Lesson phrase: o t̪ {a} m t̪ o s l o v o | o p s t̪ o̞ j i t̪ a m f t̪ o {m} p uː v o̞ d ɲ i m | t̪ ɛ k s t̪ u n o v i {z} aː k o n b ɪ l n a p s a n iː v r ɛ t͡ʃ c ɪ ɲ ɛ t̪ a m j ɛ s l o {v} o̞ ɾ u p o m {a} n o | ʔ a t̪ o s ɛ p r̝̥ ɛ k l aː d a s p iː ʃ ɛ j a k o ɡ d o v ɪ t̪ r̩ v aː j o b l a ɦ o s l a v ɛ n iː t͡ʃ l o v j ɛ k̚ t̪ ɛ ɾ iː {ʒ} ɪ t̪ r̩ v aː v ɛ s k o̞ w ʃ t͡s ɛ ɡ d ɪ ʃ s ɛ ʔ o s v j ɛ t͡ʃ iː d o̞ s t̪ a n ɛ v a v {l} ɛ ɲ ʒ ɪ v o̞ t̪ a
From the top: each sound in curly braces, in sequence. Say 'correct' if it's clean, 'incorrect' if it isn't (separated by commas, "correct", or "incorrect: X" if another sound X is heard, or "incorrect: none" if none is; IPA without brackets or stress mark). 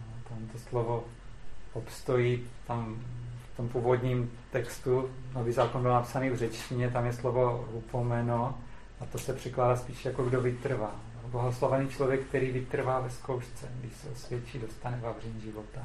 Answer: correct, correct, correct, correct, incorrect: ɛ, incorrect: v, incorrect: r